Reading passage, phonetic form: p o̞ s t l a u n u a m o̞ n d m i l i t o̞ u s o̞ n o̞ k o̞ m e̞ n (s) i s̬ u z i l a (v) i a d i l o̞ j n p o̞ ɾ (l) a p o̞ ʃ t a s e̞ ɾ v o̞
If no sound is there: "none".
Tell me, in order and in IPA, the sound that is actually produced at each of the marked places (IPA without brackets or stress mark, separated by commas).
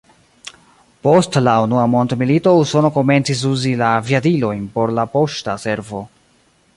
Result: t͡s, v, l